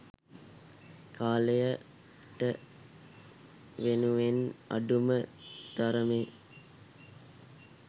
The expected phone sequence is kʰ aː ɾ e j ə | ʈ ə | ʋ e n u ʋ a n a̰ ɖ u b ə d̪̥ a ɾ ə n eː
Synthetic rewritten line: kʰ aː l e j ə | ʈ ə | ʋ e n u ʋ e n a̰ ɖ u m ə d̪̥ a ɾ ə m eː